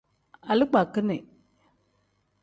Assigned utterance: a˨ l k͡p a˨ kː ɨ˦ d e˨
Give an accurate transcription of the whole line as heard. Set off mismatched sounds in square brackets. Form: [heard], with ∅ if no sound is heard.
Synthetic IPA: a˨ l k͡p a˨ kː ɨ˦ [n] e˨